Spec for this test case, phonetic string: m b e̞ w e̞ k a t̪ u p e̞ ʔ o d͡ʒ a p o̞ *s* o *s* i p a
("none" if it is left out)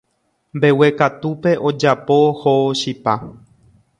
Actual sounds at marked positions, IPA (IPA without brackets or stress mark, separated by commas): h, ʃ